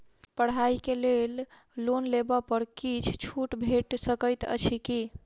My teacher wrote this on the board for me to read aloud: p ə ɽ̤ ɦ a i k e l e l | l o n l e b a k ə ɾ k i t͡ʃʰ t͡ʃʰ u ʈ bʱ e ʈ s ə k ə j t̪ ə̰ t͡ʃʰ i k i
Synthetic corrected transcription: p ə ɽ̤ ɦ a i k e l e l | l o n l e b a p ə ɾ k i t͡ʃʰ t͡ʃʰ u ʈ bʱ e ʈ s ə k ə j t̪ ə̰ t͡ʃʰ i k i